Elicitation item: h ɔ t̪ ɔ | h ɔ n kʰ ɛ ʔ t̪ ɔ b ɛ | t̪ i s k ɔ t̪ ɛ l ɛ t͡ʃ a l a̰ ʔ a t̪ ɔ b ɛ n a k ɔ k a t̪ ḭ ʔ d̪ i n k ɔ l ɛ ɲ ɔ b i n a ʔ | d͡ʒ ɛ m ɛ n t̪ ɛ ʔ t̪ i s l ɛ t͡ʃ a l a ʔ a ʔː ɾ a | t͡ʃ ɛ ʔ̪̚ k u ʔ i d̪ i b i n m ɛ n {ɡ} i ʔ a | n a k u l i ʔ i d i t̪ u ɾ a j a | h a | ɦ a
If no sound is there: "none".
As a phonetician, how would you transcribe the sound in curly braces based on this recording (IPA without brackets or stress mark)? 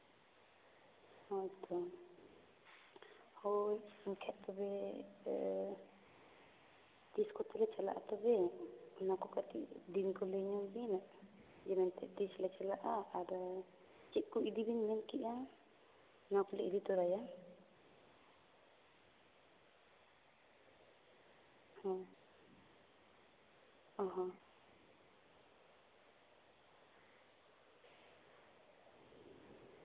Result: k